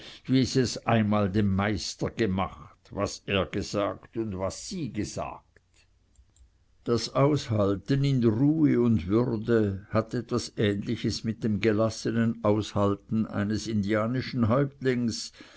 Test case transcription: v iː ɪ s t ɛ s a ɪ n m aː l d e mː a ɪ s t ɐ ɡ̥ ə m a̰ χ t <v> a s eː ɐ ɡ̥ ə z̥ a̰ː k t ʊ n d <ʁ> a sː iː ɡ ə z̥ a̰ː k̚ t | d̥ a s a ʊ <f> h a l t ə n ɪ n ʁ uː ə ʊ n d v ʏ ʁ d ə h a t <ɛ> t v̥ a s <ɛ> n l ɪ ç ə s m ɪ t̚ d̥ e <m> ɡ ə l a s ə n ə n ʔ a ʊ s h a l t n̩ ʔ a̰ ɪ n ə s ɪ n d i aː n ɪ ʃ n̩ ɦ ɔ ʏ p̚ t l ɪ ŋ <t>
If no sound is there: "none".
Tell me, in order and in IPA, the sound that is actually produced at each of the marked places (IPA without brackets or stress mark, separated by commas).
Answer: v, v, s, ɛ, ɛː, m, s